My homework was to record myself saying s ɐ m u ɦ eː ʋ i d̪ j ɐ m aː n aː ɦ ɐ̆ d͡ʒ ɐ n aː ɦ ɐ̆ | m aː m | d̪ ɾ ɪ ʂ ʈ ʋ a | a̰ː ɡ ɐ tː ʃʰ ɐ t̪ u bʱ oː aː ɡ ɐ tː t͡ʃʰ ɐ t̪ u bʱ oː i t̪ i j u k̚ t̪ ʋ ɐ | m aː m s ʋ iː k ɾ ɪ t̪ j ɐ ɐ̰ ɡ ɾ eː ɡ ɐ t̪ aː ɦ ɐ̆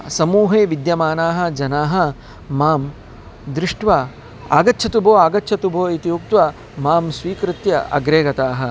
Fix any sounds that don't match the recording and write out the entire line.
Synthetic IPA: s ɐ m uː ɦ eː ʋ i d̪ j ɐ m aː n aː ɦ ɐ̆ d͡ʒ ɐ n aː ɦ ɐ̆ | m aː m | d̪ ɾ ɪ ʂ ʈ ʋ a | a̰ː ɡ ɐ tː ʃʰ ɐ t̪ u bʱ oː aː ɡ ɐ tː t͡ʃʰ ɐ t̪ u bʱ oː i t̪ i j u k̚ t̪ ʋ ɐ | m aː m s ʋ iː k ɾ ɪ t̪ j ɐ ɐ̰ ɡ ɾ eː ɡ ɐ t̪ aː ɦ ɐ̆